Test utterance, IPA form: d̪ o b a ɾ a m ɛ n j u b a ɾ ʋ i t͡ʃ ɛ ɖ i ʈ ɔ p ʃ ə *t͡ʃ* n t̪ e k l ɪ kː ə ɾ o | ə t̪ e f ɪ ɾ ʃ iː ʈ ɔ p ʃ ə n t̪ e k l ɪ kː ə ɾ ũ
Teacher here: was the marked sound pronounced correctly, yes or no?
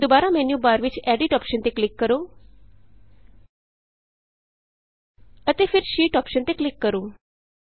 no